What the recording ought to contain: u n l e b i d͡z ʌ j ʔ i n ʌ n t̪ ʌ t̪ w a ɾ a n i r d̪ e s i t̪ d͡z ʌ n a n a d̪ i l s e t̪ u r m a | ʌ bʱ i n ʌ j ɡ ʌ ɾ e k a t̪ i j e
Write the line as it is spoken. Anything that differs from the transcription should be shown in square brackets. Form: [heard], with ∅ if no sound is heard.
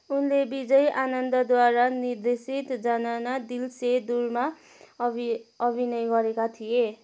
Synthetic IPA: u n l e b i d͡z ʌ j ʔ [a] n ʌ n [d̪] ʌ [d̪] w a ɾ a n i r d̪ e s i t̪ d͡z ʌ n a n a d̪ i l s e [d̪] u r m a | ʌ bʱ i n ʌ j ɡ ʌ ɾ e k a [t̪ʰ] i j e